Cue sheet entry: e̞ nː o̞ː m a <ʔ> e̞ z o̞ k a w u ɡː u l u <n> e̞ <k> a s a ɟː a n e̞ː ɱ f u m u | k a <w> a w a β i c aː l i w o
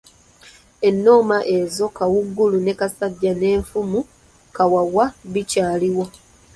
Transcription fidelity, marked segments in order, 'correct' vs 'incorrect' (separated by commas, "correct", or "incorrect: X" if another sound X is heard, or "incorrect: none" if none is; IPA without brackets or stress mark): correct, correct, correct, correct